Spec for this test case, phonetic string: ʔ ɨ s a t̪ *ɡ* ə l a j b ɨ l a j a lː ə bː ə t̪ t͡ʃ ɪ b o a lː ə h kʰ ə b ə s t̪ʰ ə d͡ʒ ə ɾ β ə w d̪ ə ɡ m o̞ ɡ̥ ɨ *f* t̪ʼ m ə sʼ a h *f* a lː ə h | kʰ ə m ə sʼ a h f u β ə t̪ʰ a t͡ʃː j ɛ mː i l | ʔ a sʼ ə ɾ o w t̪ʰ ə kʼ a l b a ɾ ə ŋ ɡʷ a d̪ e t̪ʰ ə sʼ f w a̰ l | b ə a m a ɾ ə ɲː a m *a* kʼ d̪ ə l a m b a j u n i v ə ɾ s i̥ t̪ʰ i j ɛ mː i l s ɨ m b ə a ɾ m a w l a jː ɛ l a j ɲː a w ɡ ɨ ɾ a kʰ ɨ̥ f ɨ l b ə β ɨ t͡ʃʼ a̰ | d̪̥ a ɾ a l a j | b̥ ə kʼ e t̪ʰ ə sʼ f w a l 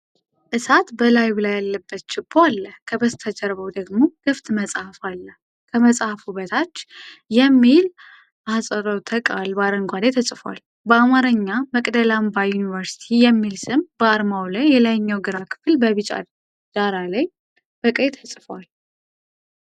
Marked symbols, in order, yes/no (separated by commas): no, yes, yes, no